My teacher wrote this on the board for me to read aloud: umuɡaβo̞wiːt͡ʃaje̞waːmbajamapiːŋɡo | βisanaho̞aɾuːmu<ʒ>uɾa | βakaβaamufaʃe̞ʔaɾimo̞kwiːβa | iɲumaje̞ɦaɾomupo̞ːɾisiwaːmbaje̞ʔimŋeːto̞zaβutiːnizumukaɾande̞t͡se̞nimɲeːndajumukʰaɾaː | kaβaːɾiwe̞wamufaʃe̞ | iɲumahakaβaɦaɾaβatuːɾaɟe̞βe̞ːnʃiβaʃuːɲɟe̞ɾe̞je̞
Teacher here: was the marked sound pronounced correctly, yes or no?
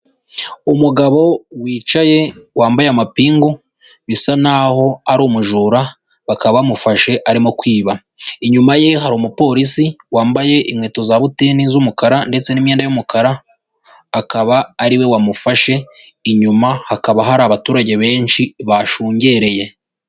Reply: yes